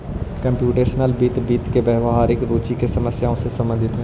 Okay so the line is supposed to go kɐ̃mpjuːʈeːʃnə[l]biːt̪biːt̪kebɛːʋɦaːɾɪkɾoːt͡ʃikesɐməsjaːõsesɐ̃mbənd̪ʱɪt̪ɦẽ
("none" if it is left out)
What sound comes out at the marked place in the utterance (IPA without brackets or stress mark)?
l